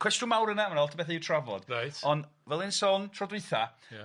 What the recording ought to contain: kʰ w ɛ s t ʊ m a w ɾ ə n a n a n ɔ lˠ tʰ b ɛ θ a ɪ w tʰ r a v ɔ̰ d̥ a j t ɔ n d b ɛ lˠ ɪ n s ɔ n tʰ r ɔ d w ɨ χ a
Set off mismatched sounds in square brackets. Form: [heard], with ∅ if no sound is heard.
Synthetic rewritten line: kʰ w ɛ s t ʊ m a w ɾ ə n a [m] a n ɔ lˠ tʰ b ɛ θ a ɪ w tʰ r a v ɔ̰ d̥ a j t ɔ n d [v] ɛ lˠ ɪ n s ɔ n tʰ r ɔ d w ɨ [θ] a